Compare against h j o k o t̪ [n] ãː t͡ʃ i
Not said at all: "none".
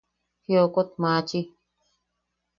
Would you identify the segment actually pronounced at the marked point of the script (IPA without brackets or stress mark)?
m